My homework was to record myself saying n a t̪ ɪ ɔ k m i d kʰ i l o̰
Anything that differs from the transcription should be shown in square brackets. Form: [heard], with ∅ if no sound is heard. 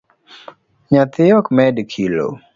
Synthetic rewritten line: [ɲ] a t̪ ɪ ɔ k m [ɛ] d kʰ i l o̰